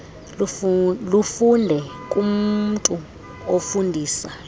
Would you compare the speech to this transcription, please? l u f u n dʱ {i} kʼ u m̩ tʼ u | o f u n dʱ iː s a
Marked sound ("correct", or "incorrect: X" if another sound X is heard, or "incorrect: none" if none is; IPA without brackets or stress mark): incorrect: ɛ